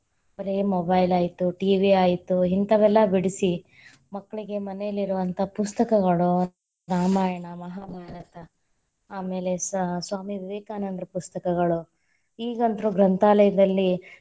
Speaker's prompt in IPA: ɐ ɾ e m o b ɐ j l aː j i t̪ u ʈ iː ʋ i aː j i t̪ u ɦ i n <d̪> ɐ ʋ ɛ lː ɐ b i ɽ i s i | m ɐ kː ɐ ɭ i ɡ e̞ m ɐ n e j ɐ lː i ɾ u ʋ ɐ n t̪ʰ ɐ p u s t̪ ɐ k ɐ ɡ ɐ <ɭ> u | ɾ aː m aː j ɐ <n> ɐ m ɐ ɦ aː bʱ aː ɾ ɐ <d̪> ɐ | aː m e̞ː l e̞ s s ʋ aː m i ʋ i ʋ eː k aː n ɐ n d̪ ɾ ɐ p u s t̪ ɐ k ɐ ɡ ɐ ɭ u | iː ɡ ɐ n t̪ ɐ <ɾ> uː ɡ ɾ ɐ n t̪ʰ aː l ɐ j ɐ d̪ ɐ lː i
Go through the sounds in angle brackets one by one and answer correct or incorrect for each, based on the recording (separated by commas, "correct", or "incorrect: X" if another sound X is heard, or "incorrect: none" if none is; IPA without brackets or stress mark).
incorrect: t̪, correct, incorrect: ɳ, incorrect: t̪, correct